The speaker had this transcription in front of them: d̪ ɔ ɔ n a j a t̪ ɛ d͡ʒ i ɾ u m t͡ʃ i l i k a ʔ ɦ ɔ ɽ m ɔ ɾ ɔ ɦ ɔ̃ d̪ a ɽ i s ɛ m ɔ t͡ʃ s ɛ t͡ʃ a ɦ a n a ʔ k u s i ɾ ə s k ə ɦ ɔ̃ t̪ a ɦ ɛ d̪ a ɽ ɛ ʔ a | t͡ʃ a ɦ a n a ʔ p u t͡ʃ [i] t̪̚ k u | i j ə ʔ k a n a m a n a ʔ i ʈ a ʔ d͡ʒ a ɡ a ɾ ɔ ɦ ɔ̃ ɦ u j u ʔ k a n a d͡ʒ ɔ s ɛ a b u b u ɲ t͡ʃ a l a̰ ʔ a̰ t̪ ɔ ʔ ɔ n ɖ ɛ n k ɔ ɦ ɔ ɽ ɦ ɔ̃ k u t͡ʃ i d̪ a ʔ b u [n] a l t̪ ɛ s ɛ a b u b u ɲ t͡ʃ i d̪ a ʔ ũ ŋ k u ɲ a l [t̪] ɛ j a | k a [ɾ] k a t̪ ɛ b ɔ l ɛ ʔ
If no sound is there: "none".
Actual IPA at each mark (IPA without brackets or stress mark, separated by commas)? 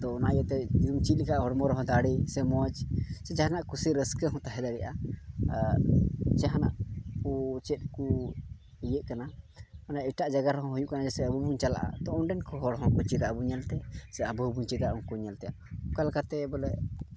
ɛ, ɲ, t̪, l